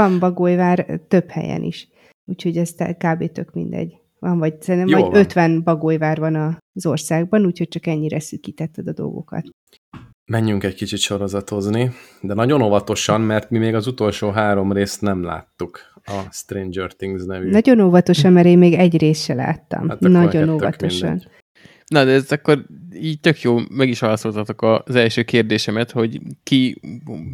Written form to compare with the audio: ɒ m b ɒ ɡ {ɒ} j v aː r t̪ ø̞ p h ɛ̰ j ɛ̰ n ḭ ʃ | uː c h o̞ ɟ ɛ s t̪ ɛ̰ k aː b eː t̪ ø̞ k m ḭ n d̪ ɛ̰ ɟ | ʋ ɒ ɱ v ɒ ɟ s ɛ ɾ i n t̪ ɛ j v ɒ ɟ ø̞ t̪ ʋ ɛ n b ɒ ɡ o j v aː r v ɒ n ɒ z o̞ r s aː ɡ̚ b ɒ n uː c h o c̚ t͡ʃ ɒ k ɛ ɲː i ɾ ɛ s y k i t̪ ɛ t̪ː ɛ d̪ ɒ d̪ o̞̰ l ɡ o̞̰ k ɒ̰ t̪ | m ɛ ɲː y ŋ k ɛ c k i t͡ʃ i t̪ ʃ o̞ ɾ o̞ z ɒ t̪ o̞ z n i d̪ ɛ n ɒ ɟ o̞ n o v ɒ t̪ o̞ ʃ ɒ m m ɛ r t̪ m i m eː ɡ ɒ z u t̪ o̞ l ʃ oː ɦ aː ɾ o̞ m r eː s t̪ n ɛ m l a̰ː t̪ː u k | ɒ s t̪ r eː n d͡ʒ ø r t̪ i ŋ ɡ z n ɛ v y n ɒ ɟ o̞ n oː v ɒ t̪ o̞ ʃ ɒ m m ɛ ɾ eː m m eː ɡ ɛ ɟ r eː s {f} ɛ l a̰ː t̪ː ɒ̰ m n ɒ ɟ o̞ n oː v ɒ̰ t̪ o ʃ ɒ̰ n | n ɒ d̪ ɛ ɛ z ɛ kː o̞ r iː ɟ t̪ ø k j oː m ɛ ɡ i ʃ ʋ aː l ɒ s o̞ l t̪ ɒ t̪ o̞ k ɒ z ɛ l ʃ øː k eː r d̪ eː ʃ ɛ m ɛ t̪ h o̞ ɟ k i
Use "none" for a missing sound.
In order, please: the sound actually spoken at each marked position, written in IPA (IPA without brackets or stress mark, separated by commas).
o, ʃ